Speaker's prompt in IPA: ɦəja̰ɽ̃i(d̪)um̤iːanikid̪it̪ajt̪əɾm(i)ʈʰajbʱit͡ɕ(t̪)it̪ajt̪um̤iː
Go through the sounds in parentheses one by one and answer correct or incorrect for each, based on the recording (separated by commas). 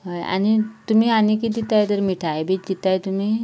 incorrect, correct, incorrect